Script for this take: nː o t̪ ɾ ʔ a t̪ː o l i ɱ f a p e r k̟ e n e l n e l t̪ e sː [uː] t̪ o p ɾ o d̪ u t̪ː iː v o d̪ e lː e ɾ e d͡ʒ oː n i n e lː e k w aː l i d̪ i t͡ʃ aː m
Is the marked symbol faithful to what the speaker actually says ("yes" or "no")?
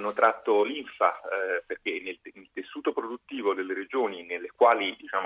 yes